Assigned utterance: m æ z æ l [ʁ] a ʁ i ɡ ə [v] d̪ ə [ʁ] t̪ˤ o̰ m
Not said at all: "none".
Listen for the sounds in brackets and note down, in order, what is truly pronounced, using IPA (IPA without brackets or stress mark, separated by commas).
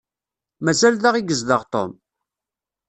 ð, z, ʁ